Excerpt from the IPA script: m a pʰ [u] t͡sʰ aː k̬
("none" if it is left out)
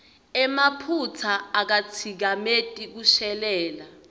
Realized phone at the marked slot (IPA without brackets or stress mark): u